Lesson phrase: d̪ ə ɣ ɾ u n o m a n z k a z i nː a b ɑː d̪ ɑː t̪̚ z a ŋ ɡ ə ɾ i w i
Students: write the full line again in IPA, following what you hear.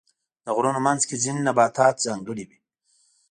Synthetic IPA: d̪ ə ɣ ɾ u n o m a n z k e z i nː a b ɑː t̪ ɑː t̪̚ z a ŋ ɡ ə ɽ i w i